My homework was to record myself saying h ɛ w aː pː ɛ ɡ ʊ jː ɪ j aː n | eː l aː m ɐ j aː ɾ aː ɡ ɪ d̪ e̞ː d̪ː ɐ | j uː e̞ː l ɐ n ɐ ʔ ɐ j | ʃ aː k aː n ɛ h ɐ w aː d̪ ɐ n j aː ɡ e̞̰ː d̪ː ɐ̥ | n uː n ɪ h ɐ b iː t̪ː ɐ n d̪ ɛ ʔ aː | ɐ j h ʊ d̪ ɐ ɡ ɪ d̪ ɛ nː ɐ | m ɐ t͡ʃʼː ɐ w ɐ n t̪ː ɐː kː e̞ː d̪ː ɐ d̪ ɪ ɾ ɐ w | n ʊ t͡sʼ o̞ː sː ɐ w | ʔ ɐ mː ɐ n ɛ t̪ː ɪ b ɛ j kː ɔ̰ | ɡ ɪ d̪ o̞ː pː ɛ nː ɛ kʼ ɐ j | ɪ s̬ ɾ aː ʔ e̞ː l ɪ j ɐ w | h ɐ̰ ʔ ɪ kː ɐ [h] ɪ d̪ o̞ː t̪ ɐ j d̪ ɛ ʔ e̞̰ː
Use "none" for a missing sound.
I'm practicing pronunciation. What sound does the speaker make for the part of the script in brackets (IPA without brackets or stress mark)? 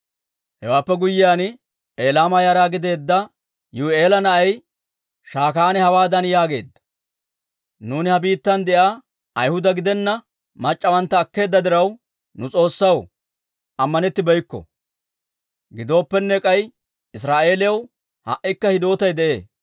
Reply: h